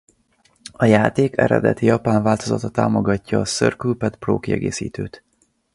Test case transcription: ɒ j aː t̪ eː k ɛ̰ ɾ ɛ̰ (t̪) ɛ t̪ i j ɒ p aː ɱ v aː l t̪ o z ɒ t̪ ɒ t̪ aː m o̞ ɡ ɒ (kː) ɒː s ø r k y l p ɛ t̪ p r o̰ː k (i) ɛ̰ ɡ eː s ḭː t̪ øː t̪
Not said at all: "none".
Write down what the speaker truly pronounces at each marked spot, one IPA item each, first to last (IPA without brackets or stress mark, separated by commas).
d̪, cː, i